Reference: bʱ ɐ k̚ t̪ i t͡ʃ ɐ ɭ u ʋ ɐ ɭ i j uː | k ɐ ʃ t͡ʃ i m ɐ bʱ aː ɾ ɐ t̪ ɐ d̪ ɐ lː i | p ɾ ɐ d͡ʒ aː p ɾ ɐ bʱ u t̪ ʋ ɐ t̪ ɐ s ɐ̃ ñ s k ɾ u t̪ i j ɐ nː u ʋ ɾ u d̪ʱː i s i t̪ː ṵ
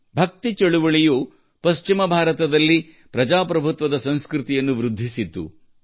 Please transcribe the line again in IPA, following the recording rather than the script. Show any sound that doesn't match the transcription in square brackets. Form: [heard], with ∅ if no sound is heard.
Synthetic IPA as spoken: bʱ ɐ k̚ t̪ i t͡ʃ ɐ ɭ u ʋ ɐ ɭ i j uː | [p] ɐ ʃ t͡ʃ i m ɐ bʱ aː ɾ ɐ t̪ ɐ d̪ ɐ lː i | p ɾ ɐ d͡ʒ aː p ɾ ɐ bʱ u t̪ ʋ ɐ [d̪] ɐ s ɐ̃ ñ s k ɾ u t̪ i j ɐ nː u ʋ ɾ u d̪ʱː i s i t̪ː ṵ